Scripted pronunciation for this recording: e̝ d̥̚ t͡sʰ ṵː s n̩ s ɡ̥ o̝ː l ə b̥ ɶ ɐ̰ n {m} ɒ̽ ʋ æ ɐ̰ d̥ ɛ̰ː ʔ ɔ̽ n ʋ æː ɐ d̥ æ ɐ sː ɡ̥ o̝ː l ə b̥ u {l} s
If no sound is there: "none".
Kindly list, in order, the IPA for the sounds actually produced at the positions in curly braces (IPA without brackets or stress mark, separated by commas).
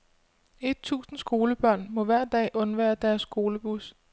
m, none